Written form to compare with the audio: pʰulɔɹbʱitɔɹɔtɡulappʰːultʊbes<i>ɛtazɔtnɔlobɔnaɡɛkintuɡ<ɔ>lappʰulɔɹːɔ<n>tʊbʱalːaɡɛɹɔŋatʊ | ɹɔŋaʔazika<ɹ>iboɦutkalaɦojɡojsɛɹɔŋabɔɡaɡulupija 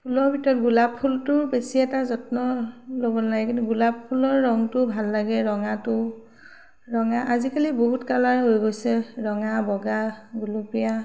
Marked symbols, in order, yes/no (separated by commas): yes, no, no, no